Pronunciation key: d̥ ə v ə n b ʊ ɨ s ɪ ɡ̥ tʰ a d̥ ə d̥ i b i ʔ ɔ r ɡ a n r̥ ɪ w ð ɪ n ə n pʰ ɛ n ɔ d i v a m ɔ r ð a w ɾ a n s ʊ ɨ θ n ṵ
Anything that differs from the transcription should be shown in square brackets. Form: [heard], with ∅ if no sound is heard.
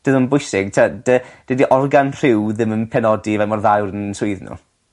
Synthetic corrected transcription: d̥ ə [ð] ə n b ʊ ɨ s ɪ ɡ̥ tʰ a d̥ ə d̥ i [d] i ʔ ɔ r ɡ a n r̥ ɪ w ð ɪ [m] ə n pʰ ɛ n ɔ d i v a m ɔ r ð a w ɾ [ə] n s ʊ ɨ [ð] n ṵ

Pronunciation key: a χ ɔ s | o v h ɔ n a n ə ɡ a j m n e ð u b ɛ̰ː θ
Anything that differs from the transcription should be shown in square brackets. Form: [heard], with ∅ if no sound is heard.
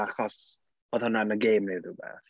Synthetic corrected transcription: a χ ɔ s | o [ð] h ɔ n a n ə ɡ [e] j m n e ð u b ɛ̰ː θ

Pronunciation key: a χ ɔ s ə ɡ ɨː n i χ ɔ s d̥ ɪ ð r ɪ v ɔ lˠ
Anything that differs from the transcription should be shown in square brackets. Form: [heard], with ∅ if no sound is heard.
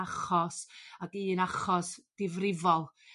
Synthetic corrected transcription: a χ ɔ s [a] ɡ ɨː n [a] χ ɔ s d̥ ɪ [v] r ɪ v ɔ lˠ

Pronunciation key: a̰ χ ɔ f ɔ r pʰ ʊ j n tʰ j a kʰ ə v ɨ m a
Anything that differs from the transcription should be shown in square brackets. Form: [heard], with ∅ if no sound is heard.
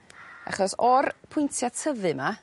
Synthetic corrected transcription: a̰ χ ɔ [s] ɔ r pʰ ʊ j n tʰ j a [tʰ] ə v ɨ m a

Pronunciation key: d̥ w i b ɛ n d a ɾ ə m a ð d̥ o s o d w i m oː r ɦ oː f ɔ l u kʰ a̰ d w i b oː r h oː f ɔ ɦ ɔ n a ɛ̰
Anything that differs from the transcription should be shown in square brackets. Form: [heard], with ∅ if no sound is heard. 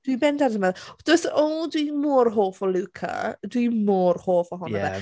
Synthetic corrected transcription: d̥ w i b ɛ n d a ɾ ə m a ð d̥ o s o d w i m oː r ɦ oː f ɔ l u kʰ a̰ d w i [m] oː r h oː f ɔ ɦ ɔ n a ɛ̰

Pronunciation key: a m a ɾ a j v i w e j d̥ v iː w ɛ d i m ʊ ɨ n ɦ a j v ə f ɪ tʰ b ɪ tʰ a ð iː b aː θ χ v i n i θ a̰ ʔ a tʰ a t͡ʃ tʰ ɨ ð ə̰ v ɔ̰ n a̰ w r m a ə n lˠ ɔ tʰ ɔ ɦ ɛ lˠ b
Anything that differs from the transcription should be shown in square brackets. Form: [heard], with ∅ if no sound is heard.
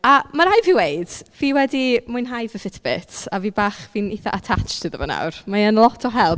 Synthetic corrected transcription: a m a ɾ a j v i w e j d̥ v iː w ɛ d i m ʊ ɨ n ɦ a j v ə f ɪ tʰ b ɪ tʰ a [v] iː b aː [∅] χ v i n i θ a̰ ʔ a tʰ a t͡ʃ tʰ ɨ ð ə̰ v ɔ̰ n a̰ w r m a ə n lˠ ɔ tʰ ɔ ɦ ɛ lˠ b

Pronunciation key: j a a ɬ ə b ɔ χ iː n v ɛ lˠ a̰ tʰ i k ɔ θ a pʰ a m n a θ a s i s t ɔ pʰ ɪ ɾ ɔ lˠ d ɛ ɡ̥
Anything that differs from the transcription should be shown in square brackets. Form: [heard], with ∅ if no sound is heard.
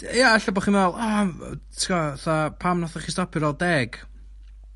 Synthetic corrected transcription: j a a ɬ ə b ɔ χ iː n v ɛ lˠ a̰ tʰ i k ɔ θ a pʰ a m n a θ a [χ] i s t ɔ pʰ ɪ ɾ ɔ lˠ d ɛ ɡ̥

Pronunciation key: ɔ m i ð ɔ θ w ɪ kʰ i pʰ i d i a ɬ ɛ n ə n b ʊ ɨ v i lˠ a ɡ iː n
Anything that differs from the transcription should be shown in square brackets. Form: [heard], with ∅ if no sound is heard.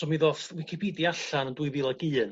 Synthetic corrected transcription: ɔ m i ð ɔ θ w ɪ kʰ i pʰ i d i a ɬ [a] n ə n [d] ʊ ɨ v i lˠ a ɡ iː n

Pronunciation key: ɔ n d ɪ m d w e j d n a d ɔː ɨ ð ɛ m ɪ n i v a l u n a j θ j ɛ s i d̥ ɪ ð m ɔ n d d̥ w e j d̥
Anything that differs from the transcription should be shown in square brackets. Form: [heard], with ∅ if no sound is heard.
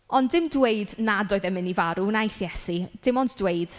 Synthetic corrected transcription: ɔ n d ɪ m d w e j d n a d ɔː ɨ ð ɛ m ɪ n i v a [ɾ] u n a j θ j ɛ s i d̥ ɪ [∅] m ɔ n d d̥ w e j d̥

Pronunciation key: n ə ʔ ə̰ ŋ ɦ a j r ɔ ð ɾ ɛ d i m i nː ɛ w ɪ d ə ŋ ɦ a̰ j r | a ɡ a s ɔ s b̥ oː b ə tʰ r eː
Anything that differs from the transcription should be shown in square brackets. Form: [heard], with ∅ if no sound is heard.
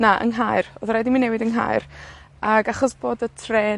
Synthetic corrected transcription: n [a] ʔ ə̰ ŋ ɦ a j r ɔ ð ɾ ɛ d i m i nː ɛ w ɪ d ə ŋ ɦ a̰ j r | a ɡ a [χ] ɔ s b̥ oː [d] ə tʰ r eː

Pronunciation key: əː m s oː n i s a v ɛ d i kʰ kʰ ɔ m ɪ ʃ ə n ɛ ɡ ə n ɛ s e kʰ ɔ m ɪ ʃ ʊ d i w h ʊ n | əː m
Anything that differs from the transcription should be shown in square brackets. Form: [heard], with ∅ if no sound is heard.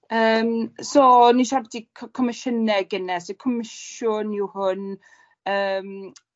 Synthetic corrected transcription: əː m s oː n i [ʃ] a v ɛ d i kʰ kʰ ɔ m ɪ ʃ ə n ɛ ɡ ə n ɛ s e kʰ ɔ m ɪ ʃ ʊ [n] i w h ʊ n | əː m

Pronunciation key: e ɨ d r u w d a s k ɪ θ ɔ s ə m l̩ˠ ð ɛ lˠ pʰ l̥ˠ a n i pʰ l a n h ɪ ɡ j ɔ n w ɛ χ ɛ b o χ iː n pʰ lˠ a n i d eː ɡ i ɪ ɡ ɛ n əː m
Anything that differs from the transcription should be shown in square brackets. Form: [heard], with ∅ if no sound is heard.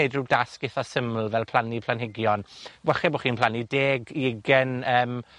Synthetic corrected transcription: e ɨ d r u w d a s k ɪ θ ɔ s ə m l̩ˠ [v] ɛ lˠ pʰ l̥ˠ a n i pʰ l a n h ɪ ɡ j ɔ n w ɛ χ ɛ b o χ iː n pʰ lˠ a n i d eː ɡ i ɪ ɡ ɛ n əː m

